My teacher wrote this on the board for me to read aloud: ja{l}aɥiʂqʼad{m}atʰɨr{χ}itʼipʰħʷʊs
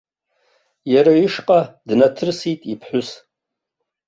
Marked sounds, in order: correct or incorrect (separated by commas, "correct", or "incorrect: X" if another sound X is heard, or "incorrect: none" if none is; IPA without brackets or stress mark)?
incorrect: ɾ, incorrect: n, incorrect: s